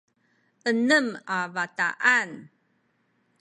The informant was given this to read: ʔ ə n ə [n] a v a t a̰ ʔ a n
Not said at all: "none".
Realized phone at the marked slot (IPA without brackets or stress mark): m